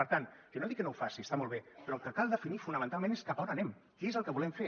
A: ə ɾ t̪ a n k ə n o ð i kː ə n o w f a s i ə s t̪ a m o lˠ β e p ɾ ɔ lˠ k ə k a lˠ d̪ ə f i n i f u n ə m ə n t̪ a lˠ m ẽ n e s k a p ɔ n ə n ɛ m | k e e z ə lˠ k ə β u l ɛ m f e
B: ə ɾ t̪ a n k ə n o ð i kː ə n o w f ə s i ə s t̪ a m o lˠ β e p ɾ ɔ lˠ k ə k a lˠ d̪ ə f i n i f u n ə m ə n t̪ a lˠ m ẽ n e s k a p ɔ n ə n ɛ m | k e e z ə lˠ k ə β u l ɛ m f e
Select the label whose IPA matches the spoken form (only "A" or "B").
A